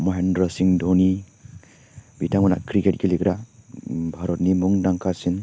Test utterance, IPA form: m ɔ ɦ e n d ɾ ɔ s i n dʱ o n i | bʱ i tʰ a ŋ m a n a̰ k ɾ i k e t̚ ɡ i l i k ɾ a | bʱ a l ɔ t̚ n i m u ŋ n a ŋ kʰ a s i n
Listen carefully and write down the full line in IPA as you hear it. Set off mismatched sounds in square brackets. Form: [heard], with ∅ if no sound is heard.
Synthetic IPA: m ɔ ɦ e n d ɾ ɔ s i [ŋ] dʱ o n i | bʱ i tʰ a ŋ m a n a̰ k ɾ i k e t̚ ɡ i l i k ɾ a | bʱ a [ɾ] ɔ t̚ n i m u ŋ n a ŋ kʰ a s i n